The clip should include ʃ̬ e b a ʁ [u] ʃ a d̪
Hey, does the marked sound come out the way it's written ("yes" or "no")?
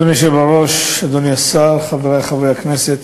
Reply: no